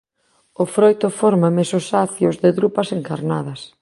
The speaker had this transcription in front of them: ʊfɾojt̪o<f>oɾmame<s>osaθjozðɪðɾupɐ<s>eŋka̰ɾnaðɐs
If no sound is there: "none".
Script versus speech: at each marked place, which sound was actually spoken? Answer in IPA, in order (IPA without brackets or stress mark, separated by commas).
f, s, s